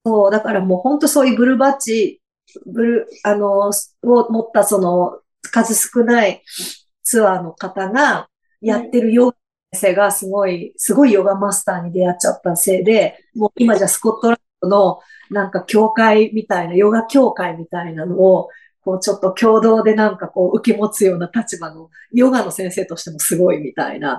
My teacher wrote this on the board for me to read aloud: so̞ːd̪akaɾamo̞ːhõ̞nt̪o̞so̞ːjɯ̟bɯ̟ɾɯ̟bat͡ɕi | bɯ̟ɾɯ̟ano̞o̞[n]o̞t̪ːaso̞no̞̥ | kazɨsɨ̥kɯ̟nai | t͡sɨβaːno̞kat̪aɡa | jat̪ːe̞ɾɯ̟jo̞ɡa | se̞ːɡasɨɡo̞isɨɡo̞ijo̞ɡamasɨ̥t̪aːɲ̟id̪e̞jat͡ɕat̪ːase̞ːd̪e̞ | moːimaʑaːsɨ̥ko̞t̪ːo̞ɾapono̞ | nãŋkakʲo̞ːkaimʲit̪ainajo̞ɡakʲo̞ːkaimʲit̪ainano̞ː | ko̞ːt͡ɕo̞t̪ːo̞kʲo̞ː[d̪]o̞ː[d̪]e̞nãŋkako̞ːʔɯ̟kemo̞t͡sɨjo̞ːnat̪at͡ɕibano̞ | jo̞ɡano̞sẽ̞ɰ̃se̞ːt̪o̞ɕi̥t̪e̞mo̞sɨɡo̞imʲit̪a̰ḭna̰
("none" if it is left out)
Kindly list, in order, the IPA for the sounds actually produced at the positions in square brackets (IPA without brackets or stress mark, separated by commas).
m, d̪, d̪